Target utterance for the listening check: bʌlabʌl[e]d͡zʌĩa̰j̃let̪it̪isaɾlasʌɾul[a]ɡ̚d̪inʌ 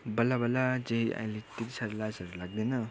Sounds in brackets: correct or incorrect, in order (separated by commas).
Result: incorrect, correct